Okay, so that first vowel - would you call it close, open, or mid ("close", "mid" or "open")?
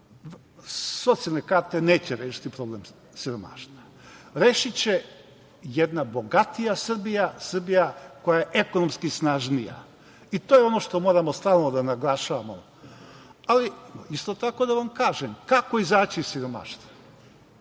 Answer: mid